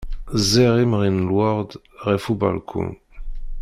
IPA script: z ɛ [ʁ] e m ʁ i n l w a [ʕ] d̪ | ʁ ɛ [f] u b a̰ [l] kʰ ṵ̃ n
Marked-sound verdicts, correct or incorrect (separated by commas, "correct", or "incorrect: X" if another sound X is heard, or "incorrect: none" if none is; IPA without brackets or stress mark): correct, incorrect: ʁ, correct, correct